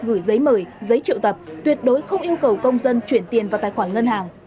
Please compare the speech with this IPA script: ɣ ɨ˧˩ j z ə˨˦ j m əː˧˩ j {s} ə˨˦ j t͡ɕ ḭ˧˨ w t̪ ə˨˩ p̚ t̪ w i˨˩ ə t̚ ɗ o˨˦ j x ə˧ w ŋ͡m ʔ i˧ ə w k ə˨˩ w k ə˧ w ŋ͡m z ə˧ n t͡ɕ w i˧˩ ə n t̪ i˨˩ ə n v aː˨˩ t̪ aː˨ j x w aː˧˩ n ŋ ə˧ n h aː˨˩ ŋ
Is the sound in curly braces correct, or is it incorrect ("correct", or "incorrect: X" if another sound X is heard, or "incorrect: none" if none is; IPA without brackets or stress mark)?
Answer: incorrect: z